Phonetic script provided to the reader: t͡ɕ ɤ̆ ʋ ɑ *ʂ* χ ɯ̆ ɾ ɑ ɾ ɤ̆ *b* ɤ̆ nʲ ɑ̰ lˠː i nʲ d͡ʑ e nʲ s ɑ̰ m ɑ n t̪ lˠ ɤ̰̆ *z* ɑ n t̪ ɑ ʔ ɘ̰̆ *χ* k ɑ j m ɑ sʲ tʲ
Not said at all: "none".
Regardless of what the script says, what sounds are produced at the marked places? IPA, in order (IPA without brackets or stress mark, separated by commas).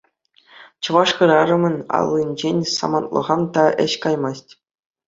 ʂ, m, ʁ, ɕ